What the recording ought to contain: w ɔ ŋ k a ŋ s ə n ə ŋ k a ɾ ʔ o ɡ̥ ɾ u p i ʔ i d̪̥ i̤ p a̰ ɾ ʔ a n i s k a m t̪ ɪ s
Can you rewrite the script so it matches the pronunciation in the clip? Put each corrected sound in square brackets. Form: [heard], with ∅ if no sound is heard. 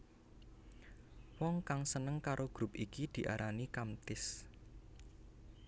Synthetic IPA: w ɔ ŋ k a ŋ s ə n ə ŋ k a ɾ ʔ o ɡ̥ ɾ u p i [k] i d̪̥ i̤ [ʔ] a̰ ɾ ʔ a n i [∅] k a m t̪ ɪ s